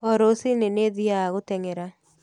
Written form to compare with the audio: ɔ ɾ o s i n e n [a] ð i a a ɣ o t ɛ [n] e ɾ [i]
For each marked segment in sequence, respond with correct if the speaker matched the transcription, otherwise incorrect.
incorrect, incorrect, incorrect

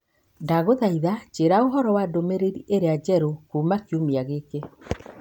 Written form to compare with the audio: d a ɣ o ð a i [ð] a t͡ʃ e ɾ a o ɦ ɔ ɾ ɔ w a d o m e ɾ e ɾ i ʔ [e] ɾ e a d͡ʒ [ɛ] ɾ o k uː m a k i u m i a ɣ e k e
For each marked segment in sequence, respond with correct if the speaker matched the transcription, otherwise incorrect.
correct, correct, correct

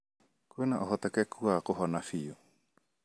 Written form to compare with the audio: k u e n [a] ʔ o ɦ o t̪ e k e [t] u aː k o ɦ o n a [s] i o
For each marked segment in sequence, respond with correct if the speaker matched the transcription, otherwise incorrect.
correct, incorrect, incorrect

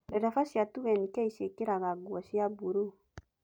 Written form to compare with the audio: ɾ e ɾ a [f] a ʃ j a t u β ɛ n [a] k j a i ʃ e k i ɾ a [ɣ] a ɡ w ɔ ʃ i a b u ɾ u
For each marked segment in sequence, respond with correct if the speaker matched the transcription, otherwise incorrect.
correct, incorrect, correct

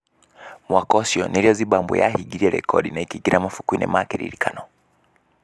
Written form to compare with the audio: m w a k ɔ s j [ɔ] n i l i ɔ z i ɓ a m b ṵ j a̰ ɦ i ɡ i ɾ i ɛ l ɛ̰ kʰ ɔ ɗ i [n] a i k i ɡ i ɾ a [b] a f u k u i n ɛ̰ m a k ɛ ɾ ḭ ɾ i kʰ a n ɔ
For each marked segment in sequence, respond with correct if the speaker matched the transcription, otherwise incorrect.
correct, correct, incorrect

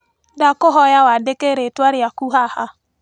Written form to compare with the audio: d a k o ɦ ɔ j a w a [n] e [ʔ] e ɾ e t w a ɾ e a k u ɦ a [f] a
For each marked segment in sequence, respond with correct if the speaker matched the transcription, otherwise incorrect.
incorrect, incorrect, incorrect

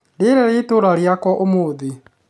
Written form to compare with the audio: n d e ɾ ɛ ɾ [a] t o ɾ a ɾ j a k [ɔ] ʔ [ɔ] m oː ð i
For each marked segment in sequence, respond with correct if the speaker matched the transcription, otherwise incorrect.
incorrect, correct, incorrect

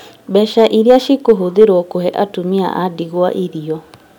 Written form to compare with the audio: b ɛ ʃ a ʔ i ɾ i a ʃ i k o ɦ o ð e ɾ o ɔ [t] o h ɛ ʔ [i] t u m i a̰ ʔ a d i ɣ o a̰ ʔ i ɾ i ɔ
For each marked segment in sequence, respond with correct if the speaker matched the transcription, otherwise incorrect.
incorrect, incorrect

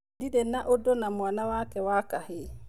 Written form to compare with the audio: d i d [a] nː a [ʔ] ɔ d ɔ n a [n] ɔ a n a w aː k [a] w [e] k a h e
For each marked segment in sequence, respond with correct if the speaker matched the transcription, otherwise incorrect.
incorrect, correct, incorrect, incorrect, incorrect

